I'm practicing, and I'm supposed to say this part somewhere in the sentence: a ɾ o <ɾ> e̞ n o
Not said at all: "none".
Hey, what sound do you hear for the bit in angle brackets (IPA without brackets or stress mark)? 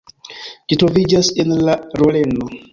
l